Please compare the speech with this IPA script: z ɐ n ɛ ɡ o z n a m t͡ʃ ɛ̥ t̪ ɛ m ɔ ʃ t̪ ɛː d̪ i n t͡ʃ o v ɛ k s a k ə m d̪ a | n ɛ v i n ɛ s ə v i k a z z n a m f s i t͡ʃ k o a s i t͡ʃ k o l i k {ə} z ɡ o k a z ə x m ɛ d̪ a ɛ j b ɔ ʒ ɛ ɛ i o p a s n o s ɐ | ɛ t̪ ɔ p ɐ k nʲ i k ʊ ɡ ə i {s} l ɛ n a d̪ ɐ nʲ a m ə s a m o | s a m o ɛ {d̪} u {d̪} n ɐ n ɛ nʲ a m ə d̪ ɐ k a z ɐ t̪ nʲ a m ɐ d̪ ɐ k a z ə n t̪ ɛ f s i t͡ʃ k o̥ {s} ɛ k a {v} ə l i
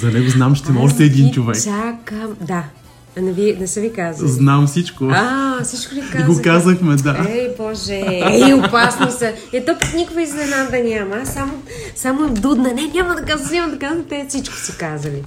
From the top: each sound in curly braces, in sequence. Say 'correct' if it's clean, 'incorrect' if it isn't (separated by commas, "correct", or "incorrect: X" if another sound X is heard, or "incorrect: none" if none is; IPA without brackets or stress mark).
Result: incorrect: a, incorrect: z, correct, correct, correct, incorrect: z